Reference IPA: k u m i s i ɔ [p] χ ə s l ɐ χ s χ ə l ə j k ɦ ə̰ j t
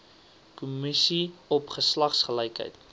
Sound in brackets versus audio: correct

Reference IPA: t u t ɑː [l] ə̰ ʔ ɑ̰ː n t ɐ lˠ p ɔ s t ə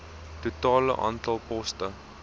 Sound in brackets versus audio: correct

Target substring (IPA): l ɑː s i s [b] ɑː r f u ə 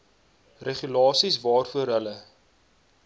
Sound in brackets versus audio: incorrect: v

